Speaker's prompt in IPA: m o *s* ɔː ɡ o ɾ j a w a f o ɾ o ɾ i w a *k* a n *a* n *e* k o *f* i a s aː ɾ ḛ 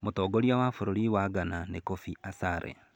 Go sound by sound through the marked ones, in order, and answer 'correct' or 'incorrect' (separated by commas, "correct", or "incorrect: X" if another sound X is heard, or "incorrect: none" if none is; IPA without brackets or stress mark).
incorrect: t, incorrect: ɡ, correct, correct, correct